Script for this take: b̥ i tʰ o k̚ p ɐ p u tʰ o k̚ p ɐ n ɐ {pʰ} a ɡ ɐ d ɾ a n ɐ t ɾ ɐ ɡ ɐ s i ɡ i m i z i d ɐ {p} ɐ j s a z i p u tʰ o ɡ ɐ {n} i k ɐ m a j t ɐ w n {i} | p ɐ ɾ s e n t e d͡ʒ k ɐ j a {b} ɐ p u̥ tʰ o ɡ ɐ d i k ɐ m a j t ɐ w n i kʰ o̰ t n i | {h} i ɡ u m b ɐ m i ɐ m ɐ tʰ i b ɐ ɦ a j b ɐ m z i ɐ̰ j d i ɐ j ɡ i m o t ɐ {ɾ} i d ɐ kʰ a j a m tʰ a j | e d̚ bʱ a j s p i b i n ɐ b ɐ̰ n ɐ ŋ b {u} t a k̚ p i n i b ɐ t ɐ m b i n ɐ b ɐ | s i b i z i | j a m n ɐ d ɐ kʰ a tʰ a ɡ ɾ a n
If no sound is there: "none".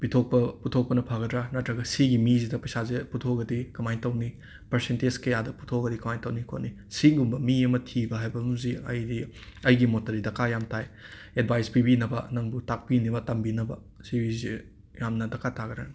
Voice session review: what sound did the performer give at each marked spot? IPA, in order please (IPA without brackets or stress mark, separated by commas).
pʰ, p, d, i, d, s, ɾ, u